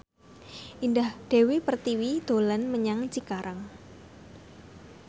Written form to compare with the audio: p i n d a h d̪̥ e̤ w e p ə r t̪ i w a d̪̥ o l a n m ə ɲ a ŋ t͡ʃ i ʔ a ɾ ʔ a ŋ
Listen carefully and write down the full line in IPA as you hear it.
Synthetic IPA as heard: ʔ i n d a h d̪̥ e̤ w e p ə r t̪ i w i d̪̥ o l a n m ə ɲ a ŋ t͡ʃ i k a ɾ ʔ a ŋ